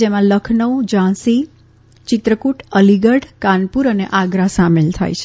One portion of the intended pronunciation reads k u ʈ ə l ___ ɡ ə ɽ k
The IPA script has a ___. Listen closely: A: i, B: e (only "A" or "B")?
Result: A